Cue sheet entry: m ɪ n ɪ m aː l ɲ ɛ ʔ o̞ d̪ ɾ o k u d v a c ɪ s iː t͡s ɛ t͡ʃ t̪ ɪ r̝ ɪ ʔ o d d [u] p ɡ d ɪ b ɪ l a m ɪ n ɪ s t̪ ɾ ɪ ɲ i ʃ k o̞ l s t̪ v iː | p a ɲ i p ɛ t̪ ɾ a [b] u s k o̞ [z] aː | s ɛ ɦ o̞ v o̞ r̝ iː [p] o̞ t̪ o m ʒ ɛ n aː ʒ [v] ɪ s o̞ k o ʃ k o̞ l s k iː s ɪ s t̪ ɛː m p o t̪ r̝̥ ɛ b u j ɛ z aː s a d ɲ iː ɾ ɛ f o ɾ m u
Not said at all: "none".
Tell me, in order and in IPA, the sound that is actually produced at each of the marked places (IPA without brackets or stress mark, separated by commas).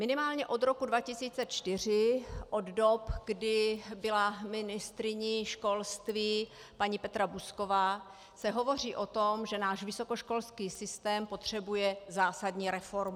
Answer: o, b, v, ʔ, v